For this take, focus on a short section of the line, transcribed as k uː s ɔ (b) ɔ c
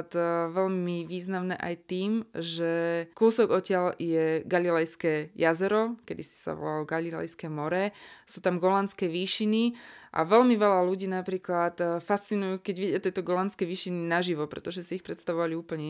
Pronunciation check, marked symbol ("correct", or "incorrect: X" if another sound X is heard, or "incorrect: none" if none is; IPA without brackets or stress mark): incorrect: ɡ